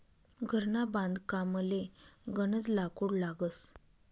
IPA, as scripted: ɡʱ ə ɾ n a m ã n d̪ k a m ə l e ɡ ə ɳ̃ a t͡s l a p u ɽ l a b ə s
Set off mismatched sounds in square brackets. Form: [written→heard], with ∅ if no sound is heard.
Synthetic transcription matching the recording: ɡʱ ə ɾ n a [m→b] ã n d̪ k a m ə l e ɡ ə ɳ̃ [a→ə] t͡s l a [p→k] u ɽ l a [b→ɡ] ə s

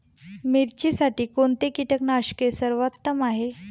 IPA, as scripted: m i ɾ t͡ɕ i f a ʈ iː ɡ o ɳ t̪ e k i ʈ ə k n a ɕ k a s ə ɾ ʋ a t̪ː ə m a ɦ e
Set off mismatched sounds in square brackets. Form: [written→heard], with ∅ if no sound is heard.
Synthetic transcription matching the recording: m i ɾ t͡ɕ i [f→s] a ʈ iː [ɡ→k] o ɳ t̪ e k i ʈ ə k n a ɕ k [a→e] s ə ɾ ʋ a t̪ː ə m a ɦ e

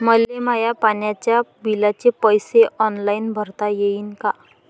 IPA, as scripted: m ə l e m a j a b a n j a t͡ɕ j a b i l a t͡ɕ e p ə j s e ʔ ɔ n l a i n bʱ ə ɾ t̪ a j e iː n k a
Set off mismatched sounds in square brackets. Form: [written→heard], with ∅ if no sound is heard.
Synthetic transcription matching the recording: m ə l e m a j a [b→p] a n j a t͡ɕ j a b i l a t͡ɕ e p ə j s e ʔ ɔ n l a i n bʱ ə ɾ t̪ a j e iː n k a

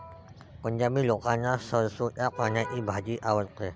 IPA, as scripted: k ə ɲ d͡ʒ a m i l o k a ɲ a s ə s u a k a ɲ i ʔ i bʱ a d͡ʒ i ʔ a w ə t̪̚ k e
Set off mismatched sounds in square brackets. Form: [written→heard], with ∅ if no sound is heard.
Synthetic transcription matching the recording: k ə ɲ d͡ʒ a m i l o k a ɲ a s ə s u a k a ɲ [i→a] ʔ i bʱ a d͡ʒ i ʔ a w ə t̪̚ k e

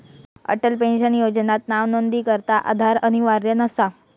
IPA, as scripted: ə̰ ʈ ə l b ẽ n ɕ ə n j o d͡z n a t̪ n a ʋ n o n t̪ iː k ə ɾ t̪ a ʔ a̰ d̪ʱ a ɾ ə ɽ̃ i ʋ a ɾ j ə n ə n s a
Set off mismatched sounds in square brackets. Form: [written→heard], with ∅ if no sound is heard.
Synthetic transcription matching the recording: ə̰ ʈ ə l [b→p] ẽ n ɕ ə n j o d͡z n a t̪ n a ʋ n o n [t̪→d̪] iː k ə ɾ t̪ a ʔ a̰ d̪ʱ a ɾ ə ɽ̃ i ʋ a ɾ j ə n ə [n→∅] s a

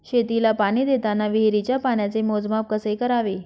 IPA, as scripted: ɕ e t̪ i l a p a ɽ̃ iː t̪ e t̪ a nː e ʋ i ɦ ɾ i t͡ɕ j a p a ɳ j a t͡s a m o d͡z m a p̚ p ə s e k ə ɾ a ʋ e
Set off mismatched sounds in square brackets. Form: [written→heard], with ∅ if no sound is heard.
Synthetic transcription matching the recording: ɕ e t̪ i l a p a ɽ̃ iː [t̪→d̪] e t̪ a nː [e→a] ʋ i ɦ ɾ i t͡ɕ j a p a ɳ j a t͡s [a→e] m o d͡z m a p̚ [p→k] ə s e k ə ɾ a ʋ e

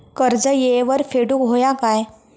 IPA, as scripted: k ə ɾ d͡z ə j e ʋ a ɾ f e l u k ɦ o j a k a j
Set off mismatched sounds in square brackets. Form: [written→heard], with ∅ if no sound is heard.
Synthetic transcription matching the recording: k ə ɾ d͡z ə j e ʋ [a→ə] ɾ f e [l→ɽ] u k ɦ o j a k a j

